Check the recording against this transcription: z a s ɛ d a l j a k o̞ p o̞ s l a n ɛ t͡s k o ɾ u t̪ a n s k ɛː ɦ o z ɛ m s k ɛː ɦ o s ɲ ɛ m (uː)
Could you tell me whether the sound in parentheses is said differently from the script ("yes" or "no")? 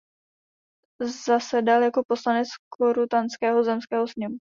yes